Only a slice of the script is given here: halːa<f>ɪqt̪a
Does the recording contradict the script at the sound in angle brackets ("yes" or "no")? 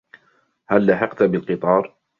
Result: yes